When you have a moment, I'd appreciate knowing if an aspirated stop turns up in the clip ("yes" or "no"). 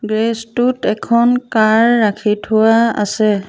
yes